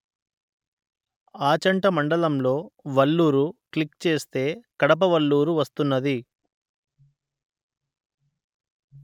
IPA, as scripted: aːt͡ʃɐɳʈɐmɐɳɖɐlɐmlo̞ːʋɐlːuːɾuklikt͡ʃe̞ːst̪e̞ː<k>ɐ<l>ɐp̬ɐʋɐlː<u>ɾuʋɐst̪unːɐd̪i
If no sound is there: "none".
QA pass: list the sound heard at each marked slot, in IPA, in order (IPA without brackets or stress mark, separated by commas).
k, ɽ, uː